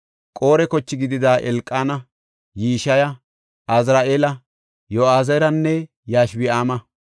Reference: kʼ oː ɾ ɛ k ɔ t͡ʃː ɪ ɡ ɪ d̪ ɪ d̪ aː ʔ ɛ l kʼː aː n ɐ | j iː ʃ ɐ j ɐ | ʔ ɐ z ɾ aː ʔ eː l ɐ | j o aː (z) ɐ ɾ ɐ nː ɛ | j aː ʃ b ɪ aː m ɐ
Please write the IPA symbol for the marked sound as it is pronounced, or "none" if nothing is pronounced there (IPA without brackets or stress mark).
z